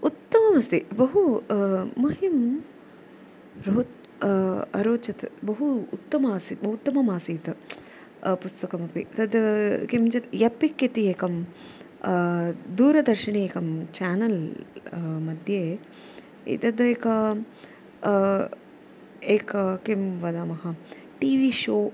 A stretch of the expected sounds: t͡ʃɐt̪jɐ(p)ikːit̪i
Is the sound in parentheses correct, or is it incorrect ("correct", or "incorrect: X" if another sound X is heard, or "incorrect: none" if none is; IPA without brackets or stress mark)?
correct